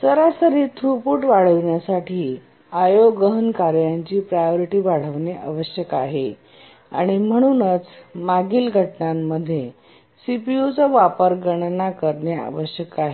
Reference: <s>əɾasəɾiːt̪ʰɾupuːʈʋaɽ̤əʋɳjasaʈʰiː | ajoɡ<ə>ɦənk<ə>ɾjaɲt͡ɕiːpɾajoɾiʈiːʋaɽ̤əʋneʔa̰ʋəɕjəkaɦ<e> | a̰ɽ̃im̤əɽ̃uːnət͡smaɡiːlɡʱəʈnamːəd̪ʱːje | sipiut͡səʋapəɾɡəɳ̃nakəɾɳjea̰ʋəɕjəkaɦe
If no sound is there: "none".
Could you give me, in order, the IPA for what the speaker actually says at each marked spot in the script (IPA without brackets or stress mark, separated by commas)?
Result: s, ə, a, e